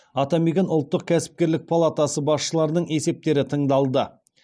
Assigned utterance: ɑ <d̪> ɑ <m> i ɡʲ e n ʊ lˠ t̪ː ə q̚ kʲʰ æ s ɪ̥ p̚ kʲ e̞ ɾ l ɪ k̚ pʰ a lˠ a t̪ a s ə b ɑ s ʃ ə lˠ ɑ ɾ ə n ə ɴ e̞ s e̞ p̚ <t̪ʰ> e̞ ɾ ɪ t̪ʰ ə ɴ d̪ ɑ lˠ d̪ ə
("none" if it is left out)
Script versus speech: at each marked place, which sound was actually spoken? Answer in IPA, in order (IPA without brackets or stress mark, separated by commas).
t̪, m, t̪